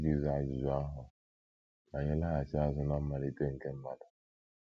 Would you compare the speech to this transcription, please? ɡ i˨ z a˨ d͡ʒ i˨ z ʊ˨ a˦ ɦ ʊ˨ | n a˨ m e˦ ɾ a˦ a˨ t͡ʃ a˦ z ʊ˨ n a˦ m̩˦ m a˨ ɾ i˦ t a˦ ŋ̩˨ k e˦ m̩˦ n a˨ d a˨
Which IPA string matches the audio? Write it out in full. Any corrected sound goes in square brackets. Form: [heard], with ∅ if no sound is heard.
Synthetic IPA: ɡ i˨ z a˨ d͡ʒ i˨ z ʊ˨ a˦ ɦ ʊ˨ | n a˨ [ɲ] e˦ [l] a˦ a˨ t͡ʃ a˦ z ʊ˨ n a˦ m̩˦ m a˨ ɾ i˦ t [e˦] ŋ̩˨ k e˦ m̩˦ [m] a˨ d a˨